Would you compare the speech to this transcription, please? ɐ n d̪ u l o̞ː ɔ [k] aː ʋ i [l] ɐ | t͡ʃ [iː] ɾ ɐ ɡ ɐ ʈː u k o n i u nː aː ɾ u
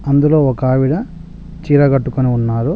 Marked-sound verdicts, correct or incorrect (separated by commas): correct, incorrect, correct